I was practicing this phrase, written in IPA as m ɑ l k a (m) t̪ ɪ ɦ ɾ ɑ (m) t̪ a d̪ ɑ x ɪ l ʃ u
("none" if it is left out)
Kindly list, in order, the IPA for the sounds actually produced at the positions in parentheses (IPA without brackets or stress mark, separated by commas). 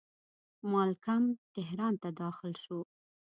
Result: m, n